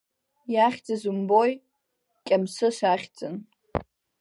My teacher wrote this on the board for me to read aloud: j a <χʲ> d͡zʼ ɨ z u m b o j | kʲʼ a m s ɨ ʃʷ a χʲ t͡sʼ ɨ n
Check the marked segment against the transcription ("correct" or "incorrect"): correct